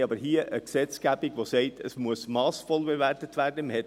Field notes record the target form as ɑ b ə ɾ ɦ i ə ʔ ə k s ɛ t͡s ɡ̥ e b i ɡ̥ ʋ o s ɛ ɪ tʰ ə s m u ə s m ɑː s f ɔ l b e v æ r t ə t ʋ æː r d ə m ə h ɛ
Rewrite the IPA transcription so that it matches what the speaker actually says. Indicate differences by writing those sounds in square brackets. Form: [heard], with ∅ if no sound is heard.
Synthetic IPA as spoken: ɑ b ə ɾ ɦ i ə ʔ ə k s ɛ t͡s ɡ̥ [æ] b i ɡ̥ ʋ o s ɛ ɪ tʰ ə s m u ə s m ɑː s f ɔ l b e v æ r t ə t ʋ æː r d ə m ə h ɛ